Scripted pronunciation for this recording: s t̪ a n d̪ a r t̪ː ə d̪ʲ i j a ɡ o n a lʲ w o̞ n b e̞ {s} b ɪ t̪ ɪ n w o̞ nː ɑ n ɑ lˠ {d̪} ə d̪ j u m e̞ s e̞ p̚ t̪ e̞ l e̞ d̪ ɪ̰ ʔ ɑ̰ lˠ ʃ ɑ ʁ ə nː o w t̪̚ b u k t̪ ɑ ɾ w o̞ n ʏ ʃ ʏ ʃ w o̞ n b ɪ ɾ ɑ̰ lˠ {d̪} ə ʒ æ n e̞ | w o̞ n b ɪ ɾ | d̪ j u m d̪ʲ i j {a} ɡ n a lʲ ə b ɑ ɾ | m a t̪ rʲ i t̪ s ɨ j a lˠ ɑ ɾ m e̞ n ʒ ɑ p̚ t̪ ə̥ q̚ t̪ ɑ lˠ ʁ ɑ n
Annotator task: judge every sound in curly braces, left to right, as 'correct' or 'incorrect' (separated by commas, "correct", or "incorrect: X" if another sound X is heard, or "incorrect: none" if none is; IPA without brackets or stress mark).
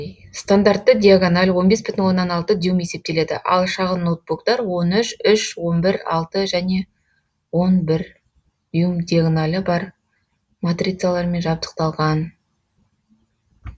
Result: correct, incorrect: t̪, incorrect: t̪, correct